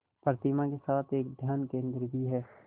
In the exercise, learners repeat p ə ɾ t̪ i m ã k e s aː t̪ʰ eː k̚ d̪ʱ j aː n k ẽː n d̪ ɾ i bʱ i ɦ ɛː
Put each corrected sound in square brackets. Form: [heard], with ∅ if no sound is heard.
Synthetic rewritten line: p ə ɾ t̪ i m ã k e s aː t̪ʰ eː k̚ d̪ʱ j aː n k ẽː n d̪ ɾ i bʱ i ɦ ɛː